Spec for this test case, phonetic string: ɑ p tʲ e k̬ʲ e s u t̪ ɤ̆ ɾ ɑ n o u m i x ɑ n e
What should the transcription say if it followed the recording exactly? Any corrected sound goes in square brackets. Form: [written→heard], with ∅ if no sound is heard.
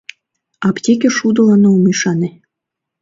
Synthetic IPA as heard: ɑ p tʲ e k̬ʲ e [s→ʃ] u [t̪→d̪] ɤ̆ [ɾ→l] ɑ n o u m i [x→ʃ] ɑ n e